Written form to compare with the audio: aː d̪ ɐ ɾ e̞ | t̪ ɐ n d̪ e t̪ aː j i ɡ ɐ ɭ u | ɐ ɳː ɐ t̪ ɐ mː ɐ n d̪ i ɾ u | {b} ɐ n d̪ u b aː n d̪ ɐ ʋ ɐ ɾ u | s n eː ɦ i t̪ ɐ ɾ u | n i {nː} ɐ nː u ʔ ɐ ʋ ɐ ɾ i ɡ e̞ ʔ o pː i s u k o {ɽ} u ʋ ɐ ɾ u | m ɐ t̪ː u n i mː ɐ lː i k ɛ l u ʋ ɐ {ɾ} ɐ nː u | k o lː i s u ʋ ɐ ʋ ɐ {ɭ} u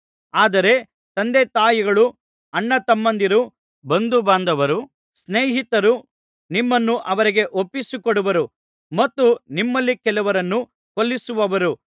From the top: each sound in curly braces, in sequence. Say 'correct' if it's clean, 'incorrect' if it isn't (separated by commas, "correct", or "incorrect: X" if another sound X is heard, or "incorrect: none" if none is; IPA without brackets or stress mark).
correct, incorrect: mː, correct, correct, incorrect: ɾ